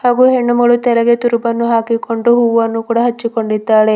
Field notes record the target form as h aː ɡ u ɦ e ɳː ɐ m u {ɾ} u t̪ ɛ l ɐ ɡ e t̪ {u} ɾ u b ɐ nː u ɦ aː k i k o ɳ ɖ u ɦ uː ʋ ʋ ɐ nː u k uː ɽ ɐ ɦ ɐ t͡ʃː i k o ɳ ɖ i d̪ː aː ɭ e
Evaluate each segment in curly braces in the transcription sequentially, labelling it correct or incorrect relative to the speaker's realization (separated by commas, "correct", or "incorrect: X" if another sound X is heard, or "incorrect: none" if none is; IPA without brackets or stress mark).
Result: incorrect: ɭ, correct